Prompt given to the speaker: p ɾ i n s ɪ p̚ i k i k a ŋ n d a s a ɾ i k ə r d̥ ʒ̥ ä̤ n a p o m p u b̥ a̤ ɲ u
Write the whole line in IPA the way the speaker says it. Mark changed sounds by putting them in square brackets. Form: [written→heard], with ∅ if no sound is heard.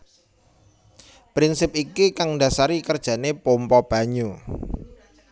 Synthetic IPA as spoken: p ɾ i n s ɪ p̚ i k i k a ŋ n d a s a ɾ i k ə r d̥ ʒ̥ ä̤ n [a→e] p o m p [u→ɔ] b̥ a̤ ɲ u